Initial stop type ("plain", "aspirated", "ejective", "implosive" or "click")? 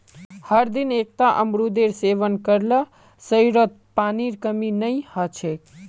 plain